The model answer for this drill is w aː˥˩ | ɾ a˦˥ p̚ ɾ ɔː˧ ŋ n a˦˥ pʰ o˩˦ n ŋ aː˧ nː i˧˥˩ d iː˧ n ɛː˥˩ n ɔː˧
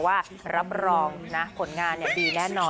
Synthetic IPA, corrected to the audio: w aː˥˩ | ɾ a˦˥ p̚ ɾ ɔː˧ ŋ n a˦˥ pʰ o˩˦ n ŋ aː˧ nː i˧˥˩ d iː˧ n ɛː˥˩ n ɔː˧